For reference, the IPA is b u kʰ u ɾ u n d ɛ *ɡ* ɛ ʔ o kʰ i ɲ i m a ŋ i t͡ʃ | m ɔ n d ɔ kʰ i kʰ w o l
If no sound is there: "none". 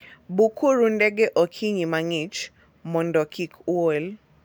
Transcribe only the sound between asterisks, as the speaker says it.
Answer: ɡ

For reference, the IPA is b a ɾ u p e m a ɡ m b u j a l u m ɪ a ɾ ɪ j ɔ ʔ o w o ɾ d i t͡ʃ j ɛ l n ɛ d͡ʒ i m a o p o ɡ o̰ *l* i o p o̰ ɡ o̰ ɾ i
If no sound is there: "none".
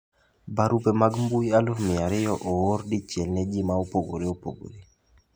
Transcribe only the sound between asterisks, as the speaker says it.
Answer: ɾ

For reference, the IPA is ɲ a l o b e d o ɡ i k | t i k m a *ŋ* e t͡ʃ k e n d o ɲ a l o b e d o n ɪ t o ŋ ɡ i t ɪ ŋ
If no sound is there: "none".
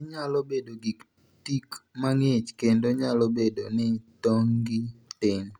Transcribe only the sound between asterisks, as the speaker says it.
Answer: ŋ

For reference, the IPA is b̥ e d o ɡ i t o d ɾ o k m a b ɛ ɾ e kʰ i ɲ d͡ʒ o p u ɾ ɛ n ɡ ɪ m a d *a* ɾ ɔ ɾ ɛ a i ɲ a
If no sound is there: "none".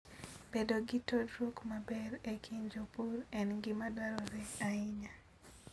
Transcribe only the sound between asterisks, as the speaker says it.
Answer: a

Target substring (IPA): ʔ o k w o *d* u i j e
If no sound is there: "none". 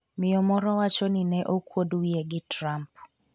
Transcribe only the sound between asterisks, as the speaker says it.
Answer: d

